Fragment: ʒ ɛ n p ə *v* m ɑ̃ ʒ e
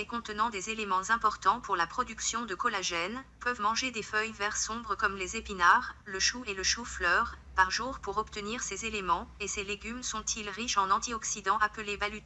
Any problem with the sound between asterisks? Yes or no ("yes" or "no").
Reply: no